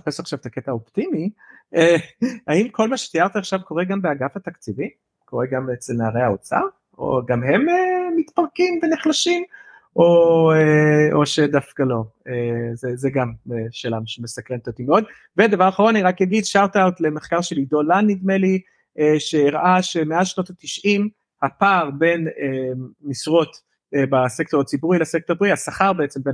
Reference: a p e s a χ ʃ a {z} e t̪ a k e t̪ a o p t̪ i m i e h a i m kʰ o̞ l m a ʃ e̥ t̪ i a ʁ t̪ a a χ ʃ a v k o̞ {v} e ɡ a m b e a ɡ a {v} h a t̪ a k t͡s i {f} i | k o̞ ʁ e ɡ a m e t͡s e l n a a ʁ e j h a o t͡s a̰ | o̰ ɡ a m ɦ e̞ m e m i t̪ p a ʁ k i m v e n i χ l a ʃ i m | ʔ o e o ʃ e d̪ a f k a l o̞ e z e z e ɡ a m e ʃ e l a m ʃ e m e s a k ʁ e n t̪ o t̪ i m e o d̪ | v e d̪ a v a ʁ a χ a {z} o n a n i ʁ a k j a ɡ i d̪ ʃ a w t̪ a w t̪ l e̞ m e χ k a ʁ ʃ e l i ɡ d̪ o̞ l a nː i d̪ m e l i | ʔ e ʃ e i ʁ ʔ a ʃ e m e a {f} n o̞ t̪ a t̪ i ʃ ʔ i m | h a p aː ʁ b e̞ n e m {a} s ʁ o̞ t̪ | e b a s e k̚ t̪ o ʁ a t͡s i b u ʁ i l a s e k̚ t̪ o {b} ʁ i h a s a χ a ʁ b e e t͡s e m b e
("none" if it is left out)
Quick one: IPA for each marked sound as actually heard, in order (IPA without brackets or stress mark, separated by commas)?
v, ʁ, f, v, ʁ, ʃ, i, b